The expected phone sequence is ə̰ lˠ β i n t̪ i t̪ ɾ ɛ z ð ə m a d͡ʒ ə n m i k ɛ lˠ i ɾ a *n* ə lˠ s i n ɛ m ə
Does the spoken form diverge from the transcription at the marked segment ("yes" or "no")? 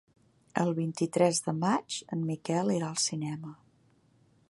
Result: yes